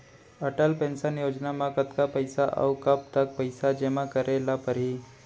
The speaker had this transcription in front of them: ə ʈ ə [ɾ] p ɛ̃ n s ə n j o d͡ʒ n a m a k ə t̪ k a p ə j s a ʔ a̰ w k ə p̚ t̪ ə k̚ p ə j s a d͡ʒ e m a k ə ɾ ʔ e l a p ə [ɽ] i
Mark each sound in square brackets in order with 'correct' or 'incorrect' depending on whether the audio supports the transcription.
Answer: incorrect, incorrect

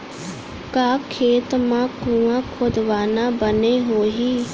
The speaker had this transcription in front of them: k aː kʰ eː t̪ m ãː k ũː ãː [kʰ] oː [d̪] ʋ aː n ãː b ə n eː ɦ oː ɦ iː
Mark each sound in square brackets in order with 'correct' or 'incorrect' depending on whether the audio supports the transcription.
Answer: correct, correct

